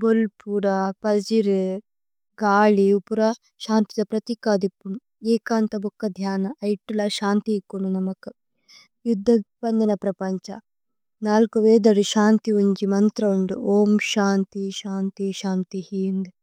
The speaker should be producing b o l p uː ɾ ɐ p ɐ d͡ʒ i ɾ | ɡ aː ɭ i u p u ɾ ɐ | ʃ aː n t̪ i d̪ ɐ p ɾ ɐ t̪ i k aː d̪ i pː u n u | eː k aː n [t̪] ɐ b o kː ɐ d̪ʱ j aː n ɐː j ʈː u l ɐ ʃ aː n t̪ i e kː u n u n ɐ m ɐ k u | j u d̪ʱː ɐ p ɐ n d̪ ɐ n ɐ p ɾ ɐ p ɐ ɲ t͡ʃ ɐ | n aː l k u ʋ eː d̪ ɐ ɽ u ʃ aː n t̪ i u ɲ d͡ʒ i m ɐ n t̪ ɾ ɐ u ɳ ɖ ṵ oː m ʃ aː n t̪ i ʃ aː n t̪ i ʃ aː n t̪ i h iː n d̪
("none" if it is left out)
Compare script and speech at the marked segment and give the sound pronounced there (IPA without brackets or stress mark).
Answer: t̪